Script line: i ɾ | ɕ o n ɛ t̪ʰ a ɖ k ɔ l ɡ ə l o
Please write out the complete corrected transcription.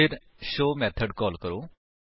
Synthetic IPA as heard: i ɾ | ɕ o m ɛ t̪ʰ ə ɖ k ɔ l k ə ɾ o